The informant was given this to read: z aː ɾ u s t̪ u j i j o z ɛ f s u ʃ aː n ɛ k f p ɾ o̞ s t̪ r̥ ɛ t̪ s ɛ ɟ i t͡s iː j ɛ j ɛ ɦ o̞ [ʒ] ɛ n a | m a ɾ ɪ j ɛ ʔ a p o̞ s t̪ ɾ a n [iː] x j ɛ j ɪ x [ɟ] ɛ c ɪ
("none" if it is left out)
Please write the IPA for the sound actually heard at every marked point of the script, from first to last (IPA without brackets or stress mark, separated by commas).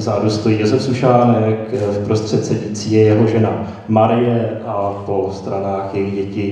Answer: ʒ, aː, ɟ